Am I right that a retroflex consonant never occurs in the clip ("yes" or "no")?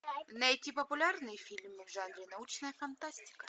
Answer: no